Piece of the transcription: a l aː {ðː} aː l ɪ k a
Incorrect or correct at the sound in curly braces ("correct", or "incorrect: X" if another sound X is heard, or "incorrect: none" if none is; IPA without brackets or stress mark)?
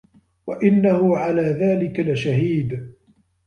incorrect: ð